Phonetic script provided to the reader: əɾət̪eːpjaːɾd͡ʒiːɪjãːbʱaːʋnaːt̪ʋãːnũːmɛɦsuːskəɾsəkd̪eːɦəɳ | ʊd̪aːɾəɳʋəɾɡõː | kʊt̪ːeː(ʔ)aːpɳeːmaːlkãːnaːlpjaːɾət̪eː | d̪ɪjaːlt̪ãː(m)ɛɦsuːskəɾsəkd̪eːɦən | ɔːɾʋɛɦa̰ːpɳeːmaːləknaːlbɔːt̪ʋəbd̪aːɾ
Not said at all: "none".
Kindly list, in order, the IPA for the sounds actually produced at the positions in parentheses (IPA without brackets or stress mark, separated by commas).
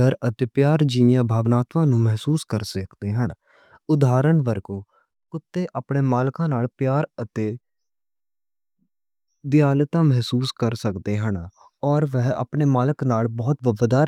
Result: ʔ, m